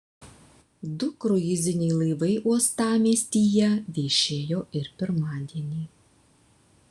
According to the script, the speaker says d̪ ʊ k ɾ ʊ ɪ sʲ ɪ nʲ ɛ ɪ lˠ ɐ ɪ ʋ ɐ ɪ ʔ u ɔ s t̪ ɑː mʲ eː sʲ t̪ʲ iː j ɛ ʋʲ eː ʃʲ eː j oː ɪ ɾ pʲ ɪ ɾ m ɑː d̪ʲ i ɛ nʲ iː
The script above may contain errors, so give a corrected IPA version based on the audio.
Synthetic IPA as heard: d̪ ʊ k ɾ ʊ ɪ zʲ ɪ nʲ ɛ ɪ lˠ ɐ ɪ ʋ ɐ ɪ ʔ u ɔ s t̪ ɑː mʲ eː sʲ t̪ʲ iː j ɛ ʋʲ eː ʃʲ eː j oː ɪ ɾ pʲ ɪ ɾ m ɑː d̪ʲ i ɛ nʲ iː